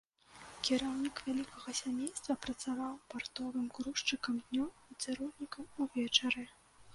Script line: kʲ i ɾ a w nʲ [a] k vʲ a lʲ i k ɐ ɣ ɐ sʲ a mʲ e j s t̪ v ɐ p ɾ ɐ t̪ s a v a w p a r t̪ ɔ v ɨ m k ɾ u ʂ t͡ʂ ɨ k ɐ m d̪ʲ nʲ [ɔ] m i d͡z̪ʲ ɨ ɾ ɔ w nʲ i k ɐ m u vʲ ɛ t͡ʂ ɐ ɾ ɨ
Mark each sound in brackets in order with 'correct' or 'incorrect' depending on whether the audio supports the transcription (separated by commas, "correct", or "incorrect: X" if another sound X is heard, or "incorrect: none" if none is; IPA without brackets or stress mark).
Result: incorrect: i, correct